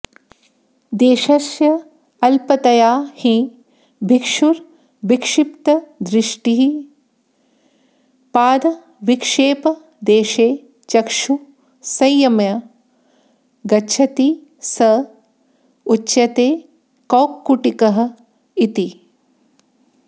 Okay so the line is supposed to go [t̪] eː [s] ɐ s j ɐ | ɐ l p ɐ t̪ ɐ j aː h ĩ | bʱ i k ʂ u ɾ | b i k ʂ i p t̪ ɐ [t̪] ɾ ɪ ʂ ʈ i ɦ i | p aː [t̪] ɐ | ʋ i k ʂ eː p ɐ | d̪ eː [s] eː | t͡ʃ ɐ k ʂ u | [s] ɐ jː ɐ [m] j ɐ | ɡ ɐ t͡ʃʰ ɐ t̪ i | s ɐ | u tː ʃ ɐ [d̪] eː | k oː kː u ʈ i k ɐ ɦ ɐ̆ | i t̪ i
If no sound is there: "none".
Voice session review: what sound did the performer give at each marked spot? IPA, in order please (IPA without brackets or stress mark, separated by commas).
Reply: d̪, ʃ, d̪, d̪, ʃ, s, m, t̪